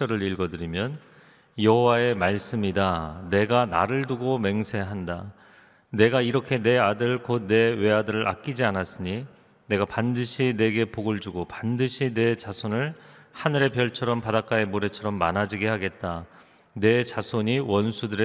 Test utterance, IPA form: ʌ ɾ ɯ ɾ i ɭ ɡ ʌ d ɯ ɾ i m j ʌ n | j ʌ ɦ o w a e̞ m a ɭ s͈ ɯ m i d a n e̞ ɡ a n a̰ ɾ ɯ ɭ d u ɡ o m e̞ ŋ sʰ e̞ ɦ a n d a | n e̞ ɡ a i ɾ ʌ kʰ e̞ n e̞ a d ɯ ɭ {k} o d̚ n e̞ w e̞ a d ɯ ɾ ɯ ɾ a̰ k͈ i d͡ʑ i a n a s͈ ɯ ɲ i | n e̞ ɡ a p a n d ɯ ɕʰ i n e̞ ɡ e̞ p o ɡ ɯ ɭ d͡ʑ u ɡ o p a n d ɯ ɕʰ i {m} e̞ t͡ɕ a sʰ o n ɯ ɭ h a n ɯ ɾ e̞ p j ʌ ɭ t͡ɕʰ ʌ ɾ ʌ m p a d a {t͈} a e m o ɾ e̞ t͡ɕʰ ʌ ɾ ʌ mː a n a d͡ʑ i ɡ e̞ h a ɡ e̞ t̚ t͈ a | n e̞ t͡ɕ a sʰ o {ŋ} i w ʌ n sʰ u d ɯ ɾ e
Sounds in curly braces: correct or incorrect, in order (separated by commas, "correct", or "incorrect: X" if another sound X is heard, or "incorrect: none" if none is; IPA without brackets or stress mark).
correct, incorrect: n, incorrect: k͈, incorrect: ɲ